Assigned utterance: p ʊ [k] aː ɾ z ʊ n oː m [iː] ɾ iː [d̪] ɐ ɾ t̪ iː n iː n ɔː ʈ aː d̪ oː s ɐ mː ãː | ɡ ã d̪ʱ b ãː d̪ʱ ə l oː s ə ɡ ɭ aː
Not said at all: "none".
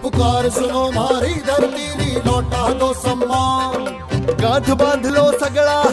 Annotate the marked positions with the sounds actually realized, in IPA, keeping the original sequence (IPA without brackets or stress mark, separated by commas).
k, aː, d̪